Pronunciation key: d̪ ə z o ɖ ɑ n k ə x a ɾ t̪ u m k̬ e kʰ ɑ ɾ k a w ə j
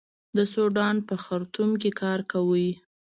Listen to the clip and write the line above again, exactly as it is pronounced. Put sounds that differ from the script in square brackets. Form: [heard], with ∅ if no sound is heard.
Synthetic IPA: d̪ ə [s] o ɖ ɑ n [p] ə x a ɾ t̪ u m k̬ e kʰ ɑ ɾ k a w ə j